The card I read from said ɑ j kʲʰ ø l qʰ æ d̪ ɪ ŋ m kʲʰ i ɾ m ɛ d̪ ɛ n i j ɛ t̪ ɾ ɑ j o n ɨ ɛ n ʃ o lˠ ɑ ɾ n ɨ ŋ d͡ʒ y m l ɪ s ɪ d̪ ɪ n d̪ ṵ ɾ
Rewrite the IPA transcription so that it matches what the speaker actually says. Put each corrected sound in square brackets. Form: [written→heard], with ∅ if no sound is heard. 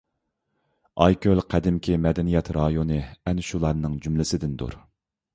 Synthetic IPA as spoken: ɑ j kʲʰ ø l qʰ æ d̪ ɪ [ŋ→∅] m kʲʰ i [ɾ→∅] m ɛ d̪ ɛ n i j ɛ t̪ ɾ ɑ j o n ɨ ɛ n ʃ [o→u] lˠ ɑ ɾ n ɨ ŋ d͡ʒ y m l ɪ s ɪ d̪ ɪ n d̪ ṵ ɾ